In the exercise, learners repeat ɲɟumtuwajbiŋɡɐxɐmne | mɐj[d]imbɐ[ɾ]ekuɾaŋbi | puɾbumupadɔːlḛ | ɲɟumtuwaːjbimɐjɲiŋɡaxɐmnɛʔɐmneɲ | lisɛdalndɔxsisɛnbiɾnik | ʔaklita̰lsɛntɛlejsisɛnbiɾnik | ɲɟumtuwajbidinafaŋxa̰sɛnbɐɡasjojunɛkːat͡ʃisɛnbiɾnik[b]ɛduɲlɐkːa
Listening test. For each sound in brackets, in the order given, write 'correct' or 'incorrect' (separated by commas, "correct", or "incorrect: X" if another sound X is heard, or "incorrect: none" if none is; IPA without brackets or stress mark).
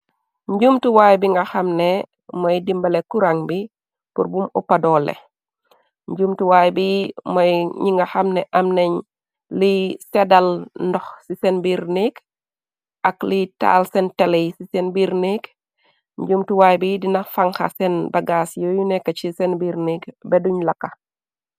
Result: correct, incorrect: l, correct